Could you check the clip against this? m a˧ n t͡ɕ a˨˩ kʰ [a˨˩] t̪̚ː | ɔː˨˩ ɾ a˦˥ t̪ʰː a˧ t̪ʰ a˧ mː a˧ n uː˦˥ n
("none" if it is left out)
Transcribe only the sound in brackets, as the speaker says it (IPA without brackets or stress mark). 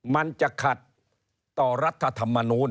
a˨˩